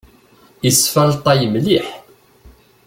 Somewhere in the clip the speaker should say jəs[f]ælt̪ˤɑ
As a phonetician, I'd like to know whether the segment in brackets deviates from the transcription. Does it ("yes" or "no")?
no